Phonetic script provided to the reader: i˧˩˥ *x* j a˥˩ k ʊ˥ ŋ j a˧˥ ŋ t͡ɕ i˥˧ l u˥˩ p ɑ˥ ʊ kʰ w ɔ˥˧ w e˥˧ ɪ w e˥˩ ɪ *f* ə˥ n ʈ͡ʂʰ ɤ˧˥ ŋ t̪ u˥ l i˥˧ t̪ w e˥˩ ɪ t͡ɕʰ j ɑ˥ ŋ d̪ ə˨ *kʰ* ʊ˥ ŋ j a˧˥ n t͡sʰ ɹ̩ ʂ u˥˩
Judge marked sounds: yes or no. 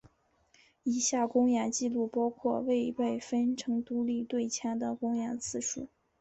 no, yes, no

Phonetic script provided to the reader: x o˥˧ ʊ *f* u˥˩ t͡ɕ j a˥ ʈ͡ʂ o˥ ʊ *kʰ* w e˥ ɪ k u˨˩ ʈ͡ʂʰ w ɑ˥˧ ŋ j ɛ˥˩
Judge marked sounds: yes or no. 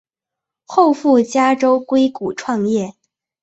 yes, no

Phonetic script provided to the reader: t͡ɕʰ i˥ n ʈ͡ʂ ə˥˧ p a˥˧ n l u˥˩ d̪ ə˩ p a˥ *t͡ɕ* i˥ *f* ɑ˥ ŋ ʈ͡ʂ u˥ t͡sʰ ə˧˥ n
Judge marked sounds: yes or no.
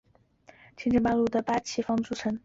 no, yes

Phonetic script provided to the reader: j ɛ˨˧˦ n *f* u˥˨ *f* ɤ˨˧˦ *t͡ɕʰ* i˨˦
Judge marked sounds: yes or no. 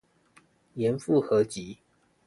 yes, no, no

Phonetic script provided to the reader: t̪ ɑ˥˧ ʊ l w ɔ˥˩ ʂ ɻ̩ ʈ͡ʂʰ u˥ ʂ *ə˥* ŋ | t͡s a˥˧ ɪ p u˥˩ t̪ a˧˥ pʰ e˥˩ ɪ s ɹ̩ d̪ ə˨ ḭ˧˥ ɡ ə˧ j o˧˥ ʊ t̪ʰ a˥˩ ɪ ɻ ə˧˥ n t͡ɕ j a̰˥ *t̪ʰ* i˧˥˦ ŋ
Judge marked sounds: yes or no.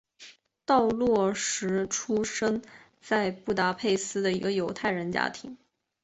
yes, yes

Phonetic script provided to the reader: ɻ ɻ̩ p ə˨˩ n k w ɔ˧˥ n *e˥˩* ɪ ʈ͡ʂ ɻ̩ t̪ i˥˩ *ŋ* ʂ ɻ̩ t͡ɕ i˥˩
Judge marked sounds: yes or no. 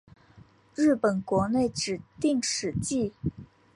yes, yes

